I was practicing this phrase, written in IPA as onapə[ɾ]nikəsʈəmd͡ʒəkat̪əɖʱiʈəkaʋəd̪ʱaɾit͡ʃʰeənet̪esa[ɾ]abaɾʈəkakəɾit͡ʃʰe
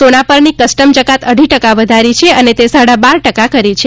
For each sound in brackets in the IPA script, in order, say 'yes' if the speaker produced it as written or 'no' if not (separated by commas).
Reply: yes, no